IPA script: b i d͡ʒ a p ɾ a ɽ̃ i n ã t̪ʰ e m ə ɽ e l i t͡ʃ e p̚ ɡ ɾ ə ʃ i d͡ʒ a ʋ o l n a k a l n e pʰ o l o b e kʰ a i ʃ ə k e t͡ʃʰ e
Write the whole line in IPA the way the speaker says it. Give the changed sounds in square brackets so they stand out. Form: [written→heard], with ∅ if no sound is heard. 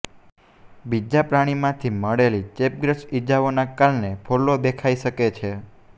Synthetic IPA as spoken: b i d͡ʒ a p ɾ a ɽ̃ i [n→m] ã t̪ʰ [e→i] m ə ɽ e l i t͡ʃ e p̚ ɡ ɾ ə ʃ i d͡ʒ a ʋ o [l→∅] n a k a l n e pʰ o l o b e kʰ a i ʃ ə k e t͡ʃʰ e